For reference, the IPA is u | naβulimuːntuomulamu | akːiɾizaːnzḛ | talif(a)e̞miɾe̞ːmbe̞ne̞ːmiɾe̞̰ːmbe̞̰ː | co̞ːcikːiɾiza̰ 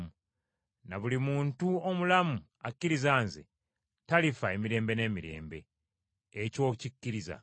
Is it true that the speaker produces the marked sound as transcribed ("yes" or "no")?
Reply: yes